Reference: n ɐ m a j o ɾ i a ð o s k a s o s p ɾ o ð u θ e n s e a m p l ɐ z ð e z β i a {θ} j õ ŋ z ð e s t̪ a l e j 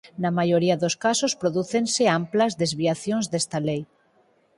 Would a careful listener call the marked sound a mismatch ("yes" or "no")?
no